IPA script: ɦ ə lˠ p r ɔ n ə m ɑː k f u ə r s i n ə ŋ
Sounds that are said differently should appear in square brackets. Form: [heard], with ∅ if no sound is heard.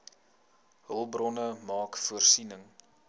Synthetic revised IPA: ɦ ə lˠ [b] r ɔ n ə m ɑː k f u ə r s i n ə ŋ